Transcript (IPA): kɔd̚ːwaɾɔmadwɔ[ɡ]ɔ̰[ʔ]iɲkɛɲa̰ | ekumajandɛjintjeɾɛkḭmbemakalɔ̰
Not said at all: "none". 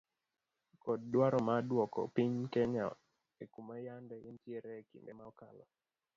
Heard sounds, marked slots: k, p

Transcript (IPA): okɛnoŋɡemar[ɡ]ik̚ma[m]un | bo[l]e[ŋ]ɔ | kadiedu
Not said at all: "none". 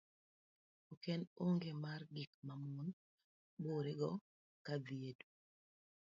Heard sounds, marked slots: ɡ, m, ɾ, ɡ

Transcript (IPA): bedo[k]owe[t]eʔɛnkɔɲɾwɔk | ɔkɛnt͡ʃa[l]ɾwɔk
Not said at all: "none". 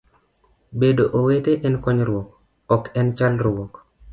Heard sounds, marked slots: ʔ, t, l

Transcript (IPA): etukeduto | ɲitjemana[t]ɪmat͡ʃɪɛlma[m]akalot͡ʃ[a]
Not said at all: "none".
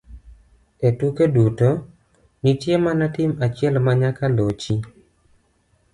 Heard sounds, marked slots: t, ɲ, i

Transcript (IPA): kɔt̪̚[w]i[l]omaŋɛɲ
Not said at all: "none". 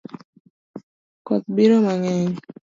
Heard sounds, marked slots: b, ɾ

